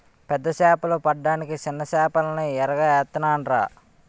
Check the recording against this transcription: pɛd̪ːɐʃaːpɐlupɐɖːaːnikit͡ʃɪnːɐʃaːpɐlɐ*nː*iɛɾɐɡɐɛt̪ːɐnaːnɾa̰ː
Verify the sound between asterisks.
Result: incorrect: n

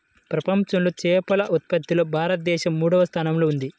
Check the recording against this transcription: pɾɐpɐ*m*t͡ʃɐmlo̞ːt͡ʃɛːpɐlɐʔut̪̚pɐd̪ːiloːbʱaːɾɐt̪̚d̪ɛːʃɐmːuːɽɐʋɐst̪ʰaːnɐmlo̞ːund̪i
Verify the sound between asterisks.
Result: correct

